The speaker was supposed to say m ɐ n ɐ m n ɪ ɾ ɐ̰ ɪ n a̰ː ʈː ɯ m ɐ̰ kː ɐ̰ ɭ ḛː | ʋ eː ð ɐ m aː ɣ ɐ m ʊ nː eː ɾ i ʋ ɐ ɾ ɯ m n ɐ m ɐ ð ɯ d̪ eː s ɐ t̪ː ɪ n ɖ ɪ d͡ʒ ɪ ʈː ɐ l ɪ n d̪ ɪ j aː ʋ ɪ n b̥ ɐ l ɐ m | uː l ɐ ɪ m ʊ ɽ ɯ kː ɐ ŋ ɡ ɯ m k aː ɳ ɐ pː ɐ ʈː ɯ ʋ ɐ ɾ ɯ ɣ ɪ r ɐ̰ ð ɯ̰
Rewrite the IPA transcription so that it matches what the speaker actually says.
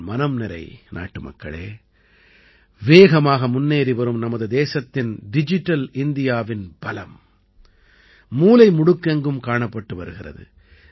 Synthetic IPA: m ɐ n ɐ m n ɪ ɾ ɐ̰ ɪ n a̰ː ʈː ɯ m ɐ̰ kː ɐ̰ ɭ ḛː | ʋ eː ɣ ɐ m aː ɣ ɐ m ʊ nː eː ɾ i ʋ ɐ ɾ ɯ m n ɐ m ɐ ð ɯ d̪ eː s ɐ t̪ː ɪ n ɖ ɪ d͡ʒ ɪ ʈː ɐ l ɪ n d̪ ɪ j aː ʋ ɪ n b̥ ɐ l ɐ m | uː l ɐ ɪ m ʊ ɽ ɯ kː ɐ ŋ ɡ ɯ m k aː ɳ ɐ pː ɐ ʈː ɯ ʋ ɐ ɾ ɯ ɣ ɪ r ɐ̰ ð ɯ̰

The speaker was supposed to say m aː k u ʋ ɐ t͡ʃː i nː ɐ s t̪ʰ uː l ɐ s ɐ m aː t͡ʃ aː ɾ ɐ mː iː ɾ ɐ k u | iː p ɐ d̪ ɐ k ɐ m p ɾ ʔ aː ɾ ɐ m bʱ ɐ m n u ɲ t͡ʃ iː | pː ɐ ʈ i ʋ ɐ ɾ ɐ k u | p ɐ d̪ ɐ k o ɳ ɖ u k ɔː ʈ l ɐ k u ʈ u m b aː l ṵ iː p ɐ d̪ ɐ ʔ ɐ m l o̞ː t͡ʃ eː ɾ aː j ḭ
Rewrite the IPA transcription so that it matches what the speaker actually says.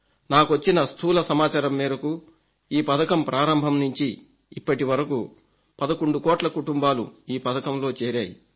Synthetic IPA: n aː k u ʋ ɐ t͡ʃː i n ɐ s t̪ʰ uː l ɐ s ɐ m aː t͡ʃ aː ɾ ɐ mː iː ɾ ɐ k u | iː p ɐ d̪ ɐ k ɐ m p ɾ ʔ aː ɾ ɐ m bʱ ɐ m n u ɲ t͡ʃ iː | pː ɐ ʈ i ʋ ɐ ɾ ɐ k u | p ɐ d̪ ɐ k o ɳ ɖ u k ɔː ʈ l ɐ k u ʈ u m b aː l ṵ iː p ɐ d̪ ɐ k ɐ m l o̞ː t͡ʃ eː ɾ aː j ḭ

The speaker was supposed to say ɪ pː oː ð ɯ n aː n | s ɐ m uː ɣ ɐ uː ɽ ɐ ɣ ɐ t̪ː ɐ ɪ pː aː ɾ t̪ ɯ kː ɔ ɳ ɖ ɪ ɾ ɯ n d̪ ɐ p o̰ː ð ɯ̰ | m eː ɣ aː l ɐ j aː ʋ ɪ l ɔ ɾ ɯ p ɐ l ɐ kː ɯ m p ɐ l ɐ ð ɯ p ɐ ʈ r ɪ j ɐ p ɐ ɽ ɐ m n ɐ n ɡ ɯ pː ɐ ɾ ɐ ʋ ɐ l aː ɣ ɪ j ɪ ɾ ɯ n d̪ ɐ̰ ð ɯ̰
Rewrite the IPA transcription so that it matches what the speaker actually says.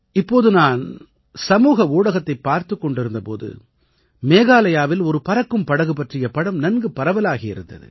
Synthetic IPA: ɪ pː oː ð ɯ n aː n | s ɐ m uː ɣ ɐ uː ɽ ɐ ɣ ɐ t̪ː ɐ ɪ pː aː ɾ t̪ ɯ kː ɔ ɳ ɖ ɪ ɾ ɯ n d̪ ɐ p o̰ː ð ɯ̰ | m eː ɣ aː l ɐ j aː ʋ ɪ l ɔ ɾ ɯ p ɐ ɾ ɐ kː ɯ m p ɐ ɽ ɐ ɣ ɯ p ɐ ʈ r ɪ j ɐ p ɐ ɽ ɐ m n ɐ n ɡ ɯ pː ɐ ɾ ɐ ʋ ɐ l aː ɣ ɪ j ɪ ɾ ɯ n d̪ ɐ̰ ð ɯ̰

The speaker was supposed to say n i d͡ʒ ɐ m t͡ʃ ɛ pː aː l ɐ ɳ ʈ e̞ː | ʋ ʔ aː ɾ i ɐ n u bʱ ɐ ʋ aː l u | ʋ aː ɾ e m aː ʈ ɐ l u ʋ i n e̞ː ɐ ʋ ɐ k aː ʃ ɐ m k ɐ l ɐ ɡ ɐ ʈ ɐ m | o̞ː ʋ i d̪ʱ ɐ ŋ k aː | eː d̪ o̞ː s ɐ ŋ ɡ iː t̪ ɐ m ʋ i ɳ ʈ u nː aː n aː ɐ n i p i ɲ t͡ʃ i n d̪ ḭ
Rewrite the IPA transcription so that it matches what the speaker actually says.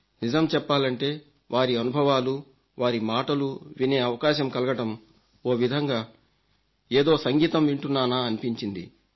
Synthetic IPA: n i d͡ʒ ɐ m t͡ʃ ɛ pː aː l ɐ ɳ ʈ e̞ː | ʋ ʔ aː ɾ i ɐ n u bʱ ɐ ʋ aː l u | ʋ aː ɾ i m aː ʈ ɐ l u ʋ i n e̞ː ɐ ʋ ɐ k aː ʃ ɐ m k ɐ l ɐ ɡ ɐ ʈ ɐ m | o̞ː ʋ i d̪ʱ ɐ ŋ ɡ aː | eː d̪ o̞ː s ɐ ŋ ɡ iː t̪ ɐ m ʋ i ɳ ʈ u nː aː n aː ɐ n i p i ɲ t͡ʃ i n d̪ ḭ

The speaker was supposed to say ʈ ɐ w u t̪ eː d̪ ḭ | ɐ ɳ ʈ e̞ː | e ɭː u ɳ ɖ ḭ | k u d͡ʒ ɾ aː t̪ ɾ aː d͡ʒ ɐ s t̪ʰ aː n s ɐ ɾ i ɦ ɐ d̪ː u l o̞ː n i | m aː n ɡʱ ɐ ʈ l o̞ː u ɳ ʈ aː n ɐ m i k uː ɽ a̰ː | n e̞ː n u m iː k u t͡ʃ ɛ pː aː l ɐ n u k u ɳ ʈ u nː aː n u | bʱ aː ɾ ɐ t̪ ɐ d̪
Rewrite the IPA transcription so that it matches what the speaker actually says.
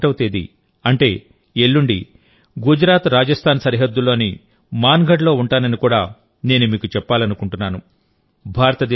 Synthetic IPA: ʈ ɐ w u t̪ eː d̪ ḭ | ɐ ɳ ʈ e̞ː | e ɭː u ɳ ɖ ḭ | ɡ u d͡ʒ ɾ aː t̪ ɾ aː d͡ʒ ɐ s t̪ʰ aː n s ɐ ɾ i ɦ ɐ d̪ː u l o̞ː n i | m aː n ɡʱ ɐ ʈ l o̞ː u ɳ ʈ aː n ɐ n i k uː ɽ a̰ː | n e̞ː n u m iː k u t͡ʃ ɛ pː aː l ɐ n u k u ɳ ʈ u nː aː n u | bʱ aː ɾ ɐ t̪ ɐ d̪

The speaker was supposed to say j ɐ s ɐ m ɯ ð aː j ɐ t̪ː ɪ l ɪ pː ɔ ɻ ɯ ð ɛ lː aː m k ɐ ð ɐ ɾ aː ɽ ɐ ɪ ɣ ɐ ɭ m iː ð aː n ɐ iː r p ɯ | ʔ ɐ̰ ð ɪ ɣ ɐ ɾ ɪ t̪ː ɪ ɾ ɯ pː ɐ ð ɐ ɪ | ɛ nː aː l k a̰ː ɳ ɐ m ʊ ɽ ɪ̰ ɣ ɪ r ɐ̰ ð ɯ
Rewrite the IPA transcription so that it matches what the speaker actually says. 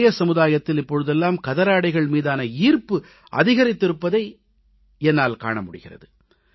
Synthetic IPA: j ɐ s ɐ m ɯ ð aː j ɐ t̪ː ɪ l ɪ pː ɔ ɻ ɯ ð ɛ lː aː m k ɐ ð ɐ ɾ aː ɽ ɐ ɪ ɣ ɐ ɭ m iː ð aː n ɐ iː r p ɯ | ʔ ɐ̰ ð ɪ ɣ ɐ ɾ ɪ t̪ː ɪ ɾ ɯ pː ɐ ð ɐ ɪ | ɛ nː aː l k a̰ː ɳ ɐ m ʊ ɽ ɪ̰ ɣ ɪ r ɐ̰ ð ɯ

